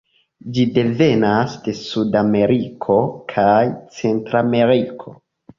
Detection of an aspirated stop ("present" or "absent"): present